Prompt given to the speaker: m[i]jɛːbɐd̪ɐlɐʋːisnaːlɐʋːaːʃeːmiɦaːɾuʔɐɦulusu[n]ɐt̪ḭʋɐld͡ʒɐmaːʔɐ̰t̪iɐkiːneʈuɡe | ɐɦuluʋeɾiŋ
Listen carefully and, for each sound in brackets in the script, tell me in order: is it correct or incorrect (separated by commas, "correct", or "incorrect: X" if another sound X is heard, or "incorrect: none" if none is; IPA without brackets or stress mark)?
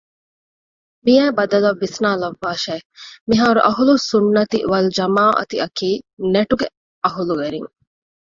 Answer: correct, incorrect: nː